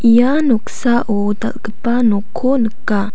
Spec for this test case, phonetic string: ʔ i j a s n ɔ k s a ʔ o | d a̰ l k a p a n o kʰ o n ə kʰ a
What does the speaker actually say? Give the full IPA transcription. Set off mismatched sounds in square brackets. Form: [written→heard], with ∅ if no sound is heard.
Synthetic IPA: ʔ i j a [s→∅] n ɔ k s a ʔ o | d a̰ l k [a→ə] p a n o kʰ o n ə [kʰ→k] a